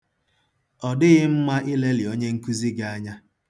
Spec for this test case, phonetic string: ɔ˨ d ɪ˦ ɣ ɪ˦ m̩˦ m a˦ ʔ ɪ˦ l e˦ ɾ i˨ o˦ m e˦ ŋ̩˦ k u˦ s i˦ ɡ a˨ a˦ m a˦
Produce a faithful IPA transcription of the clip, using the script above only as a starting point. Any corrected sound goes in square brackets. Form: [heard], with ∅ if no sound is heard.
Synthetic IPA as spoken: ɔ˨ d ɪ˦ ɣ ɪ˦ m̩˦ m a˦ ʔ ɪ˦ l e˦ [l] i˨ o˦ [ɲ] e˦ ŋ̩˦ k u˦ [z] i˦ ɡ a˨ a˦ [ɲ] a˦